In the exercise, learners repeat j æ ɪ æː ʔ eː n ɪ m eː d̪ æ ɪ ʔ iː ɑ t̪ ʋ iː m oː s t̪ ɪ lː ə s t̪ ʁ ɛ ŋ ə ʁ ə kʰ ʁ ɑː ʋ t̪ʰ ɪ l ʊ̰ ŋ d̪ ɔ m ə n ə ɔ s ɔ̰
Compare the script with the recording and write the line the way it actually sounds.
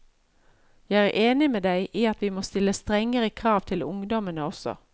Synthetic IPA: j æ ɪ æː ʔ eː n ɪ m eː d̪ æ ɪ ʔ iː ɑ t̪ ʋ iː m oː s t̪ ɪ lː ə s t̪ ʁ ɛ ŋ ə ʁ ə kʰ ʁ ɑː ʋ t̪ʰ ɪ l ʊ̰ ŋ d̪ ɔ m ə n ə ɔ s ɔ̰